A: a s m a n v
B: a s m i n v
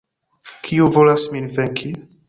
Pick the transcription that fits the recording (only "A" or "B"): B